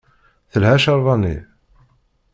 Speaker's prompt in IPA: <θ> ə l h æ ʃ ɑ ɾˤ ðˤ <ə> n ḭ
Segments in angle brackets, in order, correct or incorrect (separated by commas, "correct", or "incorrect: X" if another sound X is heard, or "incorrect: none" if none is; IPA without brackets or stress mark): correct, incorrect: ɑ